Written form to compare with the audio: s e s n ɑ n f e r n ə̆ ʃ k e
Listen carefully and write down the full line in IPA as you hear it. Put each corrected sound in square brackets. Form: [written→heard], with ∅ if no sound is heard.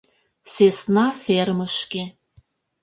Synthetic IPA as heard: s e s n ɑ [n→∅] f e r [n→m] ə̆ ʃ k e